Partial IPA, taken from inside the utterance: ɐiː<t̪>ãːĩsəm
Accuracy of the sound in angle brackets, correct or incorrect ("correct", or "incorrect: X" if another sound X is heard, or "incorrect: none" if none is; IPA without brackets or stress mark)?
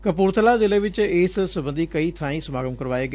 incorrect: t̪ʰ